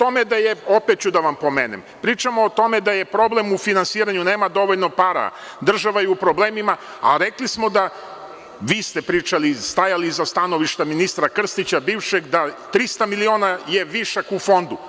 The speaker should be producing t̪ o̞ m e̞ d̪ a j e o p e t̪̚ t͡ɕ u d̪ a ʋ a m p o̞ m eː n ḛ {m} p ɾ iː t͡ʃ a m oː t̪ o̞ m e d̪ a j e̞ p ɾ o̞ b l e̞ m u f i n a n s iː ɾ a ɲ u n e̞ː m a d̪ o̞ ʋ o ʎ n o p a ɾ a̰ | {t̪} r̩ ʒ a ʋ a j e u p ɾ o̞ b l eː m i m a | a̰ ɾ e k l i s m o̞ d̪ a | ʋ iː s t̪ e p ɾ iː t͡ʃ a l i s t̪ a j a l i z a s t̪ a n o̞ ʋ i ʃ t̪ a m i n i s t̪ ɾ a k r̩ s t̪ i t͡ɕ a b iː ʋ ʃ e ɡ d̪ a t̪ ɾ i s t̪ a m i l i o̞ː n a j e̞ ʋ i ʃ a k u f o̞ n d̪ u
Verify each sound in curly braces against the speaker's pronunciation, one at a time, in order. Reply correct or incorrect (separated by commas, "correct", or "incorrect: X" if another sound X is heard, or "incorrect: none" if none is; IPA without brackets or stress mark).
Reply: correct, incorrect: d̪